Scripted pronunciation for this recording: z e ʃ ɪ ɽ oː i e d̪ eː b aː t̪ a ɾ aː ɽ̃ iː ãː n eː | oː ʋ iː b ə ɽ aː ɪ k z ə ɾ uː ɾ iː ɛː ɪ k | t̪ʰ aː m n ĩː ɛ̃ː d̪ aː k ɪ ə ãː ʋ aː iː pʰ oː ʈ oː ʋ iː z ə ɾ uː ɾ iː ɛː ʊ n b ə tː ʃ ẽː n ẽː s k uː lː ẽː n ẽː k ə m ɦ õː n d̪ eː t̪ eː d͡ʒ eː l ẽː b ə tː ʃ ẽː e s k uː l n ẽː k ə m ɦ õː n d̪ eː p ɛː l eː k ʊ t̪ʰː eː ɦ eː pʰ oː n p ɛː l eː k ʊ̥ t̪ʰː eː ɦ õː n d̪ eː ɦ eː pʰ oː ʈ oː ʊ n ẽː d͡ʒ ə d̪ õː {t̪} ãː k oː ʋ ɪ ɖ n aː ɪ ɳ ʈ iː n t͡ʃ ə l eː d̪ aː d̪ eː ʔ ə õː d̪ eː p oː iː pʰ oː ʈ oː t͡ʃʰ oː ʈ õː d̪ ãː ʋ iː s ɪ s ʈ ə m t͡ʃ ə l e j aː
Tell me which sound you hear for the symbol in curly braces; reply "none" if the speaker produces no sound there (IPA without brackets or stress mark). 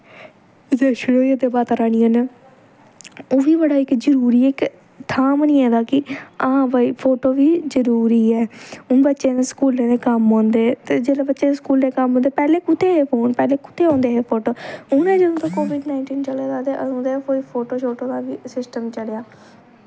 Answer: t̪